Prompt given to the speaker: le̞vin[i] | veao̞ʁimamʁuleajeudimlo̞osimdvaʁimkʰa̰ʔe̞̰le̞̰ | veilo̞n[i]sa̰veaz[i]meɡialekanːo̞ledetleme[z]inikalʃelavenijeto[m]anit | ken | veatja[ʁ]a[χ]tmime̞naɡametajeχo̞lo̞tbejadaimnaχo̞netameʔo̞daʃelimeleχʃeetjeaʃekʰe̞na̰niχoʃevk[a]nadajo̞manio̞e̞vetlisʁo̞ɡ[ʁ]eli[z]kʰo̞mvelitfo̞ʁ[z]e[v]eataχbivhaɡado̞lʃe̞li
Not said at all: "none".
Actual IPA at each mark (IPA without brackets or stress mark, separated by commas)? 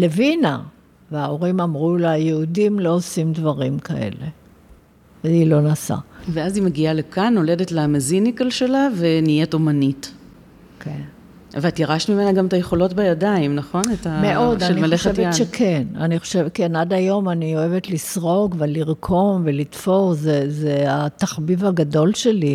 a, a, i, z, m, ʁ, ʃ, e, v, ʁ, z, z